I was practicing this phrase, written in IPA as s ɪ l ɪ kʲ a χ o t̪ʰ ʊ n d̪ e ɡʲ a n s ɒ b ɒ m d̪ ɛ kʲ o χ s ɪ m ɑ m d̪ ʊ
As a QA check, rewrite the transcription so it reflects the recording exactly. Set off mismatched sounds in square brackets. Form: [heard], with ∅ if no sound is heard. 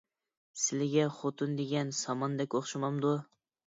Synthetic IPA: s ɪ l ɪ [ɡʲ] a χ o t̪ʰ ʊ n d̪ e ɡʲ a n s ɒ [m] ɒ [n] d̪ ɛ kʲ o χ [ʃ] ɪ m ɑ m d̪ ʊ